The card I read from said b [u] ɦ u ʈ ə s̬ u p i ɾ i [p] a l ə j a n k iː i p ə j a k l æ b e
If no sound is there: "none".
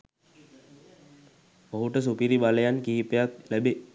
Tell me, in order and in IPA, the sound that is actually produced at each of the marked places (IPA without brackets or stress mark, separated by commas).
o, b